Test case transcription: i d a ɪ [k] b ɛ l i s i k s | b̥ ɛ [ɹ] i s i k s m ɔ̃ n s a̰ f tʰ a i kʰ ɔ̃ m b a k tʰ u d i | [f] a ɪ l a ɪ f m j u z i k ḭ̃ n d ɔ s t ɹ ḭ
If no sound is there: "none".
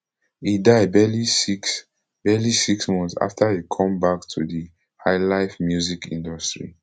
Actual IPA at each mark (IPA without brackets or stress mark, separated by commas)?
none, l, h